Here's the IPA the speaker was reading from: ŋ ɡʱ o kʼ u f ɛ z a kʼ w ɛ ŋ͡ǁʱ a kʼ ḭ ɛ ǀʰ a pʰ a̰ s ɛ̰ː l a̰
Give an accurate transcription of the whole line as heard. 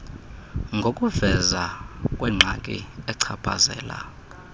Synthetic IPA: ŋ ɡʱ o kʼ u v ɛ z a kʼ w ɛ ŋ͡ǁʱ a kʼ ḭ ɛ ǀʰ a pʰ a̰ z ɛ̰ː l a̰